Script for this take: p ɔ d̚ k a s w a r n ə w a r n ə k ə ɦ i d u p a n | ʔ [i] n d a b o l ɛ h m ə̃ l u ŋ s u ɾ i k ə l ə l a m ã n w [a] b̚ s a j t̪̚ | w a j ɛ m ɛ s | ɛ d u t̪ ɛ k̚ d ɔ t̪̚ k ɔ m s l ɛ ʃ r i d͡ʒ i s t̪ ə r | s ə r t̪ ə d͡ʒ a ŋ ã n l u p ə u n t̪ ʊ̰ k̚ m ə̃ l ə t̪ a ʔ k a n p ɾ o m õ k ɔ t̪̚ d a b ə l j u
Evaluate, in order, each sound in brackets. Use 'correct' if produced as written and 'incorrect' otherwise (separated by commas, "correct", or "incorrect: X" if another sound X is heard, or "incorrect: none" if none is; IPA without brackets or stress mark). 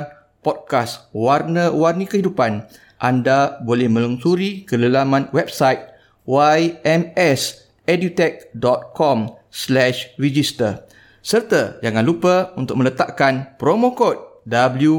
incorrect: a, incorrect: ɛ